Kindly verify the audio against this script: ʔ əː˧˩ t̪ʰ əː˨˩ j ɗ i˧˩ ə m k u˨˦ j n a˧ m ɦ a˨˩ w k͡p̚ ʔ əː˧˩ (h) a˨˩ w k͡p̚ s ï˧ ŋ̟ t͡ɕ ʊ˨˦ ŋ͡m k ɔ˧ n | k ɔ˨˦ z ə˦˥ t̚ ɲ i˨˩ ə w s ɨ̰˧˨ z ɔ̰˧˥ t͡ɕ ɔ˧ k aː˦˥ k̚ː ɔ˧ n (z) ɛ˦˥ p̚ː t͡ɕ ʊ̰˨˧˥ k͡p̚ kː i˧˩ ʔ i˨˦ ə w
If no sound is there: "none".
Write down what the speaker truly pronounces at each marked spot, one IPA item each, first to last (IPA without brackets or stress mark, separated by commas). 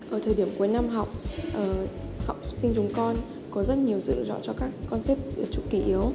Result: h, s